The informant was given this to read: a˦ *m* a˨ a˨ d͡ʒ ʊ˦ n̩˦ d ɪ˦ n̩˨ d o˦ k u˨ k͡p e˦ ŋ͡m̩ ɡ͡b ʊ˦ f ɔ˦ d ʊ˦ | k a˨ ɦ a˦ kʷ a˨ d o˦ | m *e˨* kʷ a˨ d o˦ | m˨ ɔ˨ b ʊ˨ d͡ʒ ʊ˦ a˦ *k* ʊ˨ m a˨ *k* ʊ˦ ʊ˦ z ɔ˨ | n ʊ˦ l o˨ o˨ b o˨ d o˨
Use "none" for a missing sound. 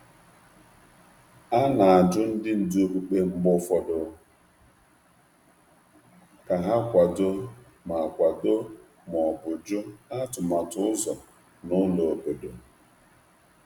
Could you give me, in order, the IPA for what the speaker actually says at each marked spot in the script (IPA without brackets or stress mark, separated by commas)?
n, a˨, t, t